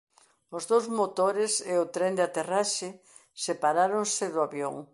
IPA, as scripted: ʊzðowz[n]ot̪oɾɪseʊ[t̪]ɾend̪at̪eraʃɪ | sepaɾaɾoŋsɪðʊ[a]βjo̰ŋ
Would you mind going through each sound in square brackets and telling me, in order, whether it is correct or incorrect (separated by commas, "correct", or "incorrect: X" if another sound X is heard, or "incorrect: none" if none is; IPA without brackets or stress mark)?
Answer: incorrect: m, correct, correct